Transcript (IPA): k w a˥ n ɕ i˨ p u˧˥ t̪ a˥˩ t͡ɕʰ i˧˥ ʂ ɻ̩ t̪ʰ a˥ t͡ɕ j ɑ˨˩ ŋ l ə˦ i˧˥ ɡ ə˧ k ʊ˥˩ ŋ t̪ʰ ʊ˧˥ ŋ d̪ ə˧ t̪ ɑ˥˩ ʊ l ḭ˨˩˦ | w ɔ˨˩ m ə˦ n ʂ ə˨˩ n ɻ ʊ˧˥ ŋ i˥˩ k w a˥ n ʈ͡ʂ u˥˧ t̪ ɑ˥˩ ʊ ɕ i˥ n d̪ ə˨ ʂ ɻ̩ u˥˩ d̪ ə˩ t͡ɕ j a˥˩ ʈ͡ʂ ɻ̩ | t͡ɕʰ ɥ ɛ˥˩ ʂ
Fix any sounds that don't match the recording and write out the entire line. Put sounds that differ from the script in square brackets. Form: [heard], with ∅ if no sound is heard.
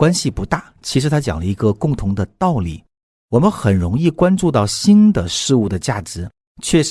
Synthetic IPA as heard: k w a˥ n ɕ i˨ p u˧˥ t̪ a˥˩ t͡ɕʰ i˧˥ ʂ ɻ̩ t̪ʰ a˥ t͡ɕ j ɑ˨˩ ŋ l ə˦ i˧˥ ɡ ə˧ k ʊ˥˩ ŋ t̪ʰ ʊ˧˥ ŋ d̪ ə˧ t̪ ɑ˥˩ ʊ l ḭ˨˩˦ | w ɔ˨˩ m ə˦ n [x] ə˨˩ n ɻ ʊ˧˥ ŋ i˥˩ k w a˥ n ʈ͡ʂ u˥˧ t̪ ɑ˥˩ ʊ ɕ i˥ n d̪ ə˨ ʂ ɻ̩ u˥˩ d̪ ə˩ t͡ɕ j a˥˩ ʈ͡ʂ ɻ̩ | t͡ɕʰ ɥ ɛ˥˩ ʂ